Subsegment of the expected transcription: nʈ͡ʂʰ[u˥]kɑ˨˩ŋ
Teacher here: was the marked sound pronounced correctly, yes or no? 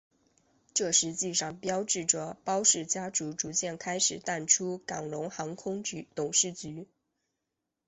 yes